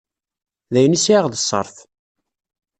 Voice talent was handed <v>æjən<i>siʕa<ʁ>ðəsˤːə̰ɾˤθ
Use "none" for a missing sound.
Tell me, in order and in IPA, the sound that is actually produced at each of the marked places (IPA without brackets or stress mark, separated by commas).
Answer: ð, i, ʁ